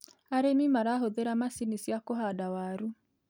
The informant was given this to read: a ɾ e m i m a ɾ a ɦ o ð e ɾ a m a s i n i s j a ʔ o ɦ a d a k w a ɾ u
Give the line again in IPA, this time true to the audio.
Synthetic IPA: a ɾ e m i m a ɾ a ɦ o ð e ɾ a m a s i n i s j a k o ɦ a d a w a ɾ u